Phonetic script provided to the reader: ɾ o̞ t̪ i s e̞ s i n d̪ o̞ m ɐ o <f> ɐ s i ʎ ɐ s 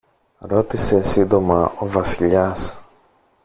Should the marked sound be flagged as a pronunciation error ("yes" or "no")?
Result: yes